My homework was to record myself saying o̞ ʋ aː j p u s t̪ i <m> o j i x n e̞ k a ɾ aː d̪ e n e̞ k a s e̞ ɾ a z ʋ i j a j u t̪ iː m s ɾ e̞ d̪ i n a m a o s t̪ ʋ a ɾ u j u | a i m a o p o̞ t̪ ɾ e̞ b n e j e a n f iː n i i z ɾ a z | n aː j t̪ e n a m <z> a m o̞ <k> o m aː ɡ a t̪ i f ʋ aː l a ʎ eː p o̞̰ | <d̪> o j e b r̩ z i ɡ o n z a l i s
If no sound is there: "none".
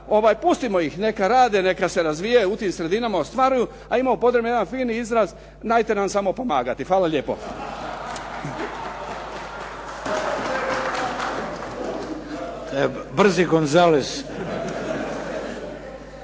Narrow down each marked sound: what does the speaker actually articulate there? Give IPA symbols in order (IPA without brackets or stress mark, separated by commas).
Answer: m, s, p, t̪